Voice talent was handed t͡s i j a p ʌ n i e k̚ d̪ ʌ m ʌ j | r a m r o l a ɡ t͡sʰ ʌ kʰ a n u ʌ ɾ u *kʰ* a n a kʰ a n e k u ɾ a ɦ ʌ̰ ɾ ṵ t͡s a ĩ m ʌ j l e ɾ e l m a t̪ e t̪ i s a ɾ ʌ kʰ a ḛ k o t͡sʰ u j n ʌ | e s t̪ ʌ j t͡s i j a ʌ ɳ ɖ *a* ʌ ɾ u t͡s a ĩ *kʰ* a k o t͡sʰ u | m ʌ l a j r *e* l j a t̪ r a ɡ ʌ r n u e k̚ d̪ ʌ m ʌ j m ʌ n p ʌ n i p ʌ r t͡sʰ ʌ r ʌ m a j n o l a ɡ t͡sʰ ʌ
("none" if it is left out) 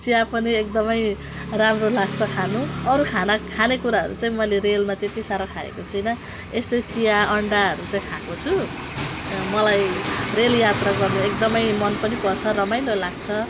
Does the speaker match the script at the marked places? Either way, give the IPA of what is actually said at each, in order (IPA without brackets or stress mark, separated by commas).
kʰ, a, kʰ, e